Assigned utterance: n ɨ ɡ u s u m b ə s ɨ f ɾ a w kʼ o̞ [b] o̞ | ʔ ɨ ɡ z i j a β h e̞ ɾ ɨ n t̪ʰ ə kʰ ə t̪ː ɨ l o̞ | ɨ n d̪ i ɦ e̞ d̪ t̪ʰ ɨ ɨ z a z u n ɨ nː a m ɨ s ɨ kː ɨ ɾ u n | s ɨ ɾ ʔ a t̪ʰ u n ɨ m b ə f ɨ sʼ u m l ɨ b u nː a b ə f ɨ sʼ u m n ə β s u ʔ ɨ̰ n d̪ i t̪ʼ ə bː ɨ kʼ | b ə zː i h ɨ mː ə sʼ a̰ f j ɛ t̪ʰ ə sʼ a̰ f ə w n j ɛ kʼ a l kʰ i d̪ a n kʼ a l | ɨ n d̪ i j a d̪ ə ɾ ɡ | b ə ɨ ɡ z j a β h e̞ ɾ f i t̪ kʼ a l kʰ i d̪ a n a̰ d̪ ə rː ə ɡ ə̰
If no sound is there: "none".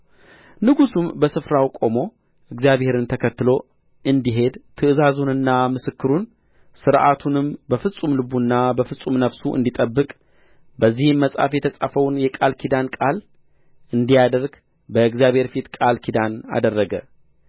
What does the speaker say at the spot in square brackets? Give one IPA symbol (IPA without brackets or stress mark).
m